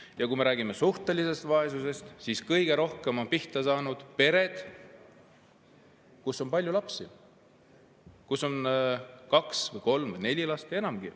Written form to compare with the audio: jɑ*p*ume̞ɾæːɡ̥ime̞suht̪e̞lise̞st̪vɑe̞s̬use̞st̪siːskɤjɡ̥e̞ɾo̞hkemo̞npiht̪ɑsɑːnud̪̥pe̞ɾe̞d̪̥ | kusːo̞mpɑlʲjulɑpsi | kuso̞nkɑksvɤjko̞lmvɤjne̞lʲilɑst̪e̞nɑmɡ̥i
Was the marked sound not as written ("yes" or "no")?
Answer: yes